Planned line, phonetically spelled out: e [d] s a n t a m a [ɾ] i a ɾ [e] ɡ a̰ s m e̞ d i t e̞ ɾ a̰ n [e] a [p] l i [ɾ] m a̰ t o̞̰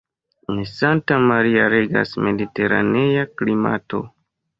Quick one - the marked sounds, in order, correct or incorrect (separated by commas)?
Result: incorrect, correct, correct, correct, incorrect, incorrect